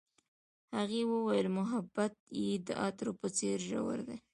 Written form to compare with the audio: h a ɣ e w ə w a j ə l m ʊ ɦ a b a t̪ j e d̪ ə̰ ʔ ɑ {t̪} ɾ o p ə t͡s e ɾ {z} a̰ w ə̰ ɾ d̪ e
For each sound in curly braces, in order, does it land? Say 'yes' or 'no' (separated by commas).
yes, no